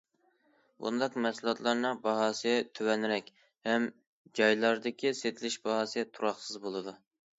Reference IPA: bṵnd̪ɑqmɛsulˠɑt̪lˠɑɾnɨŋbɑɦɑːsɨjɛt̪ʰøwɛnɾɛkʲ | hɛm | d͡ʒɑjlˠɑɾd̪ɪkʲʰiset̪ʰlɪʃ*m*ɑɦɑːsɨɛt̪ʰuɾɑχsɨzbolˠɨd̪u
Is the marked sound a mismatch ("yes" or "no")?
yes